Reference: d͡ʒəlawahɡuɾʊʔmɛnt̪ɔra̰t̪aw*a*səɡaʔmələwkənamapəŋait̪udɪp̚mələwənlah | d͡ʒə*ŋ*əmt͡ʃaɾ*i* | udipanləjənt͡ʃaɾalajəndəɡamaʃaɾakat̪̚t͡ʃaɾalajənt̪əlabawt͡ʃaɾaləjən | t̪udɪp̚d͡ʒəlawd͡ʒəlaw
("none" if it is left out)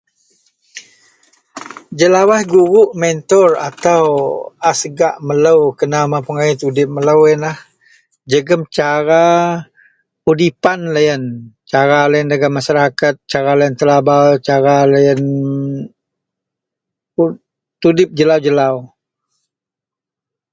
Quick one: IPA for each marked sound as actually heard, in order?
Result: a, ɡ, a

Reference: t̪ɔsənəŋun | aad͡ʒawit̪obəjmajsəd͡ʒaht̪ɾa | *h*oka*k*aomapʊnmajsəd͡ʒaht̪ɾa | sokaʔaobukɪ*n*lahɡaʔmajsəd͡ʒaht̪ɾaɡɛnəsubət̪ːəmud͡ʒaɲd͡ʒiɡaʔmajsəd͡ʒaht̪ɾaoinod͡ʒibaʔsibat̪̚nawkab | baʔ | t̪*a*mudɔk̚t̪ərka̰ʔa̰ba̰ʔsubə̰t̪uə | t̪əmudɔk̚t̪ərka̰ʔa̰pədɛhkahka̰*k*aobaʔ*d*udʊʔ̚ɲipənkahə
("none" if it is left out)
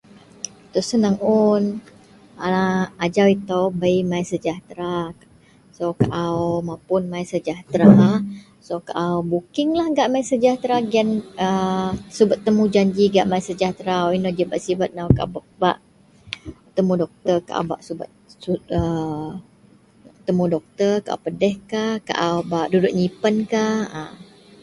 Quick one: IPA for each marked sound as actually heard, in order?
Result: s, ʔ, ŋ, ə, ʔ, d

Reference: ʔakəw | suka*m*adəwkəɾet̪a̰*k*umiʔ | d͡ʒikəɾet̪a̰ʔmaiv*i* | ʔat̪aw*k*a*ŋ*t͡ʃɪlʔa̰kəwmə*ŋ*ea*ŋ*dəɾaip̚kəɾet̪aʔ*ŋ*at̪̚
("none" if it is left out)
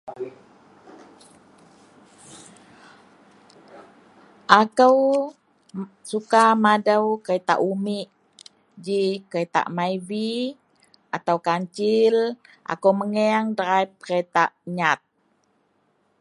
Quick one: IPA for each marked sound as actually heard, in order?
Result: m, ʔ, i, k, ɲ, ŋ, ŋ, ɲ

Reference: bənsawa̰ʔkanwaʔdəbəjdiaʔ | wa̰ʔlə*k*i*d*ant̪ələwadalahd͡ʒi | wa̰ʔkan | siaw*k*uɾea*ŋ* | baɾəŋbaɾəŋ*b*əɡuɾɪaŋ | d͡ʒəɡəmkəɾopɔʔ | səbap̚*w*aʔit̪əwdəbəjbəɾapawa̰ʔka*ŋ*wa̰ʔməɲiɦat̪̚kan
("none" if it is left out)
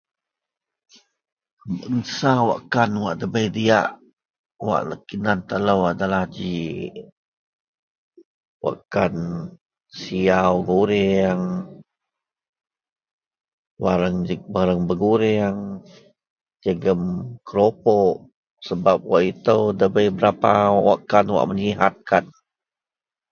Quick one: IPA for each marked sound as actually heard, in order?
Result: k, n, ɡ, ŋ, b, w, n

